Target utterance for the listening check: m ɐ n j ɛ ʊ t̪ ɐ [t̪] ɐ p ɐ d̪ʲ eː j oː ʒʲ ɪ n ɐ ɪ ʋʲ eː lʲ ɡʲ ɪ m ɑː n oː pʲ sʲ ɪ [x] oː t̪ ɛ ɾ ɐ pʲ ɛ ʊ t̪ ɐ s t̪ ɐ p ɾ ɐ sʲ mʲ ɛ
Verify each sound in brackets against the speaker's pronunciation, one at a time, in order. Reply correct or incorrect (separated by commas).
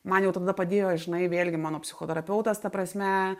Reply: incorrect, correct